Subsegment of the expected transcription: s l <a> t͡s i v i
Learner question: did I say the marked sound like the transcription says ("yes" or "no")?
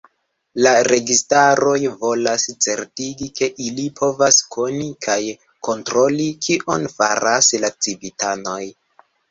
yes